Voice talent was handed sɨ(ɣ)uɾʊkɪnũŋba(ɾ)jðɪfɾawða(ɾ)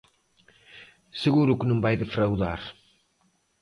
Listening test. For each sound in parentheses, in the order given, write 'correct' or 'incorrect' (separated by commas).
correct, incorrect, correct